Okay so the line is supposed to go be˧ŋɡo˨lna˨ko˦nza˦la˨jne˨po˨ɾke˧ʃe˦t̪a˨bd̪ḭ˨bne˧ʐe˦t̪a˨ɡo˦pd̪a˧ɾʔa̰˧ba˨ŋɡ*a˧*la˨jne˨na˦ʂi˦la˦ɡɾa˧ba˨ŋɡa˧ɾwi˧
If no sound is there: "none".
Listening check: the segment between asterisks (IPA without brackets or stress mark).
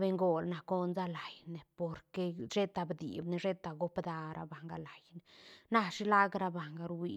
a˧